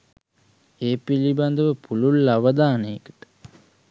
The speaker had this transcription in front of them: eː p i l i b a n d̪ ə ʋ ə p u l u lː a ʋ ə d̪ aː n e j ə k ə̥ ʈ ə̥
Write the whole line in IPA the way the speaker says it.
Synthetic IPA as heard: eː p i l i b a n d̪ ə ʋ ə p u l u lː a ʋ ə d̪ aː n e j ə k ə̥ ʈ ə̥